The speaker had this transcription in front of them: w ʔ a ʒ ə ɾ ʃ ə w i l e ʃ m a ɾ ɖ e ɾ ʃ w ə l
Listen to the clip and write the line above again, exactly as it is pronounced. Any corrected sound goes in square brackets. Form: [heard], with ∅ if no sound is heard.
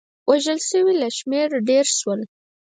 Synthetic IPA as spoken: w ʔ a ʒ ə [l] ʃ ə w i l [a] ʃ m [e] ɾ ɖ e ɾ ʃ w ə l